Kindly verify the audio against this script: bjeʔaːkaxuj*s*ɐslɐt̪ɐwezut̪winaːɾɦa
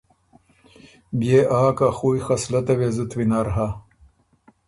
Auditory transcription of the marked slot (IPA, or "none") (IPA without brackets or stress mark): x